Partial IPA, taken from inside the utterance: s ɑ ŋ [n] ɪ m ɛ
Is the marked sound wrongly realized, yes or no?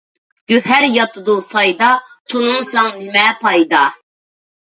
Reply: no